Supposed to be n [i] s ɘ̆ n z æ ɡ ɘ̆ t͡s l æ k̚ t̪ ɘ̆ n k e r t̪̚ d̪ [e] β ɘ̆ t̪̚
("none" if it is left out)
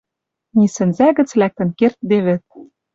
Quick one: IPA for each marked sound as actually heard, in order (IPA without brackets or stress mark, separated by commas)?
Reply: i, e